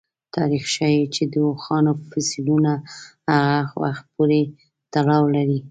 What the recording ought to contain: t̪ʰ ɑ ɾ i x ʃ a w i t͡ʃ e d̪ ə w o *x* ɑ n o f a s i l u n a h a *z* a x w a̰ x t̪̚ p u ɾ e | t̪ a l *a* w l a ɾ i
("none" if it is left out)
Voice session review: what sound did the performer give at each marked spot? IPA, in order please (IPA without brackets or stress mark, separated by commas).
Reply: x, ɣ, ɑ